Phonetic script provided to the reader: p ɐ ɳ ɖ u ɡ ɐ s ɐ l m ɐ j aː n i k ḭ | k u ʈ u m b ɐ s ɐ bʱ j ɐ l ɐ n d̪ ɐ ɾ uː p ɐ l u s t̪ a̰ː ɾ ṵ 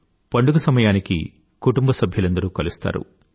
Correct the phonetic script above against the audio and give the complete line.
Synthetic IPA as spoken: p ɐ ɳ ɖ u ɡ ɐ s ɐ m ɐ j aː n i k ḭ | k u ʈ u m b ɐ s ɐ bʱ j ɐ l ɐ n d̪ ɐ ɾ uː k ɐ l u s t̪ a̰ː ɾ ṵ